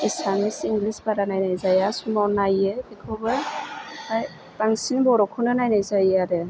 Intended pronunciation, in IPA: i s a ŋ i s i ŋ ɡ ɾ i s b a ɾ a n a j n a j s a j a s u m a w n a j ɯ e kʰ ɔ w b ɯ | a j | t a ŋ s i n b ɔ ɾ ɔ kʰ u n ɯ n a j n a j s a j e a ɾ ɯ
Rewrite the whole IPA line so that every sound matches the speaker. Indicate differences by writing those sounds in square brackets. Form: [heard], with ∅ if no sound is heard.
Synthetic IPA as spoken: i s a [m] i s i ŋ ɡ [l] i s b a ɾ a n a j n a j [z] a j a s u m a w n a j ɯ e kʰ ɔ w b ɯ | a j | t a ŋ s i n b ɔ ɾ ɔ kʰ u n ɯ n a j n a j [z] a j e a ɾ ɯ